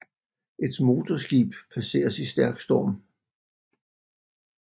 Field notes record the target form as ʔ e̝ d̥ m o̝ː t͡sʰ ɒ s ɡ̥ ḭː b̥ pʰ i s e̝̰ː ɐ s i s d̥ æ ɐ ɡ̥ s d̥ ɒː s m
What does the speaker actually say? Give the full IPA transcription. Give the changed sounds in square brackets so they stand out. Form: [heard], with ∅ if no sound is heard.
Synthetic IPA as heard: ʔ e̝ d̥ m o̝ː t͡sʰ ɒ s ɡ̥ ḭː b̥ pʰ [æ] s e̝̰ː ɐ s i s d̥ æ ɐ ɡ̥ s d̥ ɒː [∅] m